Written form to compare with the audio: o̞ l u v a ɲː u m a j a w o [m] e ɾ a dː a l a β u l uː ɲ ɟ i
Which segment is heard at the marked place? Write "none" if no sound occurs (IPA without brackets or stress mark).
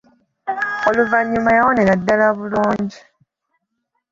n